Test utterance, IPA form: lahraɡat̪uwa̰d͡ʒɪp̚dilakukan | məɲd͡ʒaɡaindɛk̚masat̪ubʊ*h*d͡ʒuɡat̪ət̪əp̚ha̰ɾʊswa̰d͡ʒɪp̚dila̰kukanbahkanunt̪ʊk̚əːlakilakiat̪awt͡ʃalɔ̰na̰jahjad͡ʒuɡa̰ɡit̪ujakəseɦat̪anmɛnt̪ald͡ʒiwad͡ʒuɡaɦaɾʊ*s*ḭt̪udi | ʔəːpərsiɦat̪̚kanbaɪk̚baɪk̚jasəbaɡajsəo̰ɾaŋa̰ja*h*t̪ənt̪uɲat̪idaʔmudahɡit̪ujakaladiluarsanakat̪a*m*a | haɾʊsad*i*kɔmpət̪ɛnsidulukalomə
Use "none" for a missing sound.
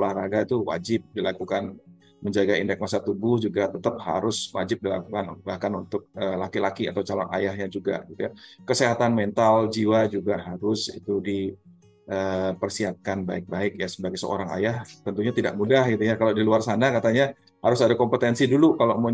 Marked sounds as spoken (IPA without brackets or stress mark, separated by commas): h, s, h, ɲ, a